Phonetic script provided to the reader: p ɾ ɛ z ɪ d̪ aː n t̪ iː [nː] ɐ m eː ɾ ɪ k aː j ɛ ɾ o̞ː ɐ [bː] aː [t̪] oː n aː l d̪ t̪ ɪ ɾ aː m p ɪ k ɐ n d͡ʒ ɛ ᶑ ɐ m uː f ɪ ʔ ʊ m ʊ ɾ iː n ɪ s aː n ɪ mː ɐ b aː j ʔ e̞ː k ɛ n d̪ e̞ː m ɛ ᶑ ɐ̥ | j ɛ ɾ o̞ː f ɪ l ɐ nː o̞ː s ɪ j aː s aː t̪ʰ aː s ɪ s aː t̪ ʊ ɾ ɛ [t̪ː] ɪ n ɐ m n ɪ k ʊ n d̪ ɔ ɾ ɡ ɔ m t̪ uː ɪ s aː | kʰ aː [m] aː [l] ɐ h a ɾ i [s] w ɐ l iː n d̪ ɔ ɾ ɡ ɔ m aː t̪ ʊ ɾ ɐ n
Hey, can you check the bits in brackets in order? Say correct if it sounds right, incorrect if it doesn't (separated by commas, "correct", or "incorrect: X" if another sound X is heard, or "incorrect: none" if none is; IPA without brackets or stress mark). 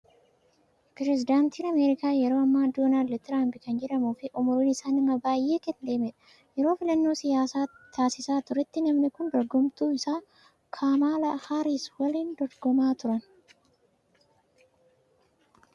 incorrect: n, incorrect: mː, incorrect: d̪, correct, correct, correct, correct